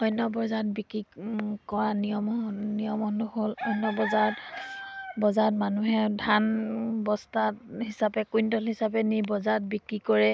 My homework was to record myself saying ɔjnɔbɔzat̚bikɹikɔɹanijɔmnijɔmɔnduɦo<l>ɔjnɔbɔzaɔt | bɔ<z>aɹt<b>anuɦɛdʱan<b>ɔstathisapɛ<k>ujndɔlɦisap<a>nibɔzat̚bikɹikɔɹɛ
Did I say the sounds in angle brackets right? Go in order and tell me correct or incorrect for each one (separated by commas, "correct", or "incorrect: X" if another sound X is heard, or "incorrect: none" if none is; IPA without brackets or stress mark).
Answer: correct, correct, incorrect: m, correct, correct, incorrect: ɛ